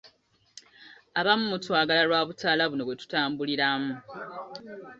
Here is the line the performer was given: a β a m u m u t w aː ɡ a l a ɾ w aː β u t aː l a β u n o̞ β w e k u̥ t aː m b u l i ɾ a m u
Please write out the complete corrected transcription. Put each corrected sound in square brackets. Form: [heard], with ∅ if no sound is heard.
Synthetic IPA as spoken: a β a m u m u t w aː ɡ a l a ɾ w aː β u t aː l a β u n o̞ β w e [t] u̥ t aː m b u l i ɾ a m u

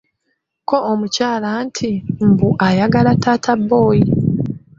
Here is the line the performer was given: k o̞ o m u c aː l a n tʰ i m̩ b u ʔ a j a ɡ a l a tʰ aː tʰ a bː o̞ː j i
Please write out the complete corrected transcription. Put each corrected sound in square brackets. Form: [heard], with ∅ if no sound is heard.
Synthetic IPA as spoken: k o̞ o m u c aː l a n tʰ i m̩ b u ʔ a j a ɡ a l a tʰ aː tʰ a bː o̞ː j i

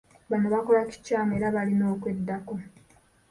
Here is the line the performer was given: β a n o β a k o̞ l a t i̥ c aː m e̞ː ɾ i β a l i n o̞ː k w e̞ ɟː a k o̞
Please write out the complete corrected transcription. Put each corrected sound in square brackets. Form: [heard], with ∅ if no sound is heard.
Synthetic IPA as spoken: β a n o β a k o̞ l a [c] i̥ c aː m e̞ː ɾ [a] β a l i n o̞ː k w e̞ [dː] a k o̞

